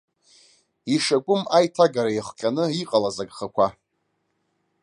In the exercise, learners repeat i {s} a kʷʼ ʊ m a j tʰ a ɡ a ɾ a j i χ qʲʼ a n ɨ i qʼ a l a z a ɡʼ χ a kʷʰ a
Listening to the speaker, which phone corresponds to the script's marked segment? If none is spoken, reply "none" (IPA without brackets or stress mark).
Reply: ʂ